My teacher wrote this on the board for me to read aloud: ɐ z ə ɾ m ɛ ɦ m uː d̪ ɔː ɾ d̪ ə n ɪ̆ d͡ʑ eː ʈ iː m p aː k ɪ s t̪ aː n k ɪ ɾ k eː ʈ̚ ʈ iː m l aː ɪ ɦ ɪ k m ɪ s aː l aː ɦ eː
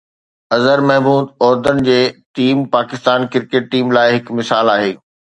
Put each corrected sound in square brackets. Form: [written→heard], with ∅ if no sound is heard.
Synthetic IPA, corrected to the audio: ɐ z ə ɾ m ɛ ɦ m uː d̪ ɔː ɾ d̪ ə n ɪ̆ d͡ʑ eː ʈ iː m p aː k ɪ s t̪ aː n k ɪ ɾ k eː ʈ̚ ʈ iː m l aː ɪ ɦ ɪ k m ɪ s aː l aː ɦ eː